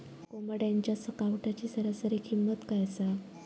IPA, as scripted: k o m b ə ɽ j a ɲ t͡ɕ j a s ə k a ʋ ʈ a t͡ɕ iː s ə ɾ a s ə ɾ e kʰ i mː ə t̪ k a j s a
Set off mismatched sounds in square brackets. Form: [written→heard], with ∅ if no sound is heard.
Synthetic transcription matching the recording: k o m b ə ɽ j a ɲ t͡ɕ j a s ə k a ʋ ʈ a t͡ɕ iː s ə ɾ a s ə ɾ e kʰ i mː ə t̪ k a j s a

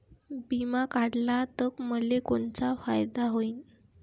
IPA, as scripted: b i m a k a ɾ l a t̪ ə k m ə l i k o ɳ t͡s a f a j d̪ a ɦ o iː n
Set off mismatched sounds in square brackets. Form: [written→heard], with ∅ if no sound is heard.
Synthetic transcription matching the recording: b i m a k a [ɾ→ɽ] l a t̪ ə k m ə l [i→e] k o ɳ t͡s a f a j d̪ a ɦ o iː n

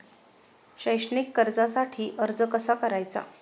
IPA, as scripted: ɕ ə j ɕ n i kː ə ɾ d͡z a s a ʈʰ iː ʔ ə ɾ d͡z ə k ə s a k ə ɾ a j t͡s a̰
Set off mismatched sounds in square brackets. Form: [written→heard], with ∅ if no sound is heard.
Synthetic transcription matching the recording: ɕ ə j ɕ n i kː ə ɾ d͡z a s a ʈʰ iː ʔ ə ɾ d͡z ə k ə s a k ə ɾ a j t͡s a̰

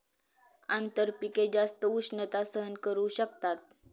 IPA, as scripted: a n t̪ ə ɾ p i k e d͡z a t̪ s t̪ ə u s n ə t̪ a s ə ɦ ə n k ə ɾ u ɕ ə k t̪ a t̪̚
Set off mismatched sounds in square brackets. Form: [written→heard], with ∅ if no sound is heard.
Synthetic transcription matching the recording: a n t̪ ə ɾ p i k e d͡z a [t̪→∅] s t̪ ə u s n ə t̪ a s ə ɦ ə n k ə ɾ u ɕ ə k t̪ a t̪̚

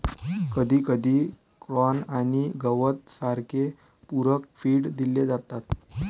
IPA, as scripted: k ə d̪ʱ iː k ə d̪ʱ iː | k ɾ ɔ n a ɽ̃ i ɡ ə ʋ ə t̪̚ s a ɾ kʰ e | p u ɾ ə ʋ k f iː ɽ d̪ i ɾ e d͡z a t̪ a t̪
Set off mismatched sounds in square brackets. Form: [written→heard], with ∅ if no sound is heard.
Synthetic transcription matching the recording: k ə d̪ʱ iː k ə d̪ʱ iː | k ɾ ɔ n a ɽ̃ i ɡ ə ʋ ə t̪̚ s a ɾ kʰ e | p u ɾ ə [ʋ→∅] k f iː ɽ d̪ i [ɾ→l] e d͡z a t̪ a t̪

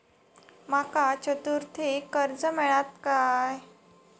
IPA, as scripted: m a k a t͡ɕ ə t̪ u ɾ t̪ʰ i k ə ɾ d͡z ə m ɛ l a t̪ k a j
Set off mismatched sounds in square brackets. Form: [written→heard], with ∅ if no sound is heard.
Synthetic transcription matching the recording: m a k a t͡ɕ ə t̪ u ɾ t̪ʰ i k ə ɾ d͡z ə m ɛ [l→ɭ] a t̪ k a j

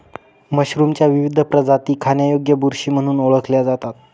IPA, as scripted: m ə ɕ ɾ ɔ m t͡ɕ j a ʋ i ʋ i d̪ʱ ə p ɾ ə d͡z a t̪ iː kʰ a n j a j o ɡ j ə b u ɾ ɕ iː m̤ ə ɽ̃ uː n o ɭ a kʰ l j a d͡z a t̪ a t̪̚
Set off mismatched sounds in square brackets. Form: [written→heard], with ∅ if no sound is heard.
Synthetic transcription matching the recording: m ə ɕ ɾ [ɔ→u] m t͡ɕ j a ʋ i ʋ i d̪ʱ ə p ɾ ə d͡z a t̪ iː kʰ a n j a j o ɡ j ə b u ɾ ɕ iː m̤ ə ɽ̃ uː n o ɭ [a→ə] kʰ l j a d͡z a t̪ a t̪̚

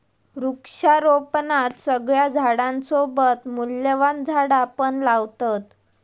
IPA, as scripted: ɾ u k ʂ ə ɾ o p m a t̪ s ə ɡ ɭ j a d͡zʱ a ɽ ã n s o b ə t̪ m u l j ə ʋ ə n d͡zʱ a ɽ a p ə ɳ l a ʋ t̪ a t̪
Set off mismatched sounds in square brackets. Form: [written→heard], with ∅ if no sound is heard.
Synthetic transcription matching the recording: ɾ u k ʂ [ə→a] ɾ o p [m→n] a t̪ s ə ɡ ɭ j a d͡zʱ a ɽ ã n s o b ə t̪ m u l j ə ʋ [ə→a] n d͡zʱ a ɽ a p ə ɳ l a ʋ t̪ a t̪

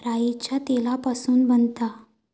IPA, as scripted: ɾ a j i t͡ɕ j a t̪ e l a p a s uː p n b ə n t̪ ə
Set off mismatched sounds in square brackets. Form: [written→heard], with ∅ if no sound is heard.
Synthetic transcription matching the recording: ɾ a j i t͡ɕ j a t̪ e l a p a s uː [p→∅] n b ə n t̪ [ə→a]

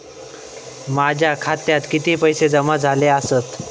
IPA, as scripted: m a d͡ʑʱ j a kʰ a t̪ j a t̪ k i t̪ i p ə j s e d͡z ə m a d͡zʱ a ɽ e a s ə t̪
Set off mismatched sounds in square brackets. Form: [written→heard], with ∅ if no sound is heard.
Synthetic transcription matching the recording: m a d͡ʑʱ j a kʰ a t̪ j a t̪ k i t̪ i p ə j s e d͡z ə m a d͡zʱ a [ɽ→l] e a s ə t̪

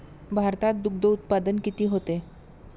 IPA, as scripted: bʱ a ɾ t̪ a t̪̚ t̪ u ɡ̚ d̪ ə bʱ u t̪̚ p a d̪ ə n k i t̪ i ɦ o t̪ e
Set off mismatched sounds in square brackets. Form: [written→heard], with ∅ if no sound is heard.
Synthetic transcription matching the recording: bʱ a ɾ t̪ a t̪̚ [t̪→d̪] u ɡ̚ d̪ ə [bʱ→∅] u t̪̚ p a d̪ ə n k i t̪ [i→iː] ɦ o t̪ e

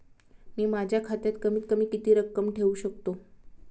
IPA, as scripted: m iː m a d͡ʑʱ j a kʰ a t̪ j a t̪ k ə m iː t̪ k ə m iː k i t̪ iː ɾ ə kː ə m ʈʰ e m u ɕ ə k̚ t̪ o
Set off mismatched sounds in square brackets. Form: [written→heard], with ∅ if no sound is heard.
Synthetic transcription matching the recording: m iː m a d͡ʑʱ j a kʰ a t̪ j a t̪ k ə m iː t̪ k ə m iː k i t̪ iː ɾ ə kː ə m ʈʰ e [m→∅] u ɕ ə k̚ t̪ o

